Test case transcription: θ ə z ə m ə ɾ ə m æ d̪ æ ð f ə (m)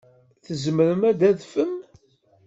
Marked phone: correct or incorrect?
correct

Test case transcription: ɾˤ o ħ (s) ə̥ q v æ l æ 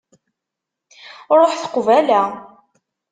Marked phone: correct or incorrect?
incorrect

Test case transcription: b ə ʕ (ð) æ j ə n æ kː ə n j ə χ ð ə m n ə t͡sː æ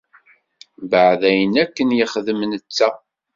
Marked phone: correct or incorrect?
correct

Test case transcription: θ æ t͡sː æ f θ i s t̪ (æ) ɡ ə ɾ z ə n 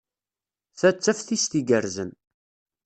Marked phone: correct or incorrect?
incorrect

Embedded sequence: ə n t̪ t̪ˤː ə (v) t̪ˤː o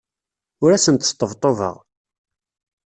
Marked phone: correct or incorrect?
correct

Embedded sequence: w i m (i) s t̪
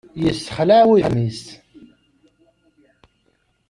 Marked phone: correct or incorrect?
correct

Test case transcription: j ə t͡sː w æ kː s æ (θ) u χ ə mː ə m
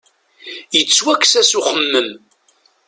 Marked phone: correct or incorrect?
incorrect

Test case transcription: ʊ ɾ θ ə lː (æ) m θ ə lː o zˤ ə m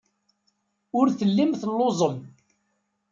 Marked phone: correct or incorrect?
incorrect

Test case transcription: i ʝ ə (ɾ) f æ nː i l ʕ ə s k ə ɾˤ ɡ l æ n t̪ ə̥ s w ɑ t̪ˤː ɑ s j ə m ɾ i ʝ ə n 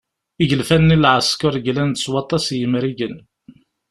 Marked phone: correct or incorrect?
incorrect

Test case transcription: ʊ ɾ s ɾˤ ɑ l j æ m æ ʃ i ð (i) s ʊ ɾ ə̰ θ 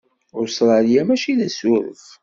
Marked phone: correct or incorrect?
incorrect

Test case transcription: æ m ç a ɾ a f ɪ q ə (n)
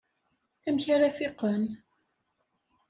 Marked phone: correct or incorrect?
correct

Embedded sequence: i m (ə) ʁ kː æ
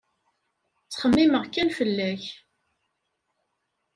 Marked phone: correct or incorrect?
correct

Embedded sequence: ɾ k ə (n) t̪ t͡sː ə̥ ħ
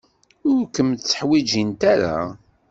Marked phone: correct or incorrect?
incorrect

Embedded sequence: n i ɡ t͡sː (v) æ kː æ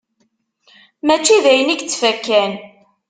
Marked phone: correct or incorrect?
incorrect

